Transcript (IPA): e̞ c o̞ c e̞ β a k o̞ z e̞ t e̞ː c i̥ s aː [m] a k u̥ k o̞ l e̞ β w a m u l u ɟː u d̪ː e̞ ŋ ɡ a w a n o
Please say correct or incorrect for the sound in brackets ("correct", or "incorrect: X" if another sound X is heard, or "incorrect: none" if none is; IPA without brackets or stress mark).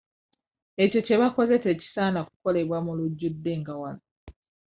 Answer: incorrect: n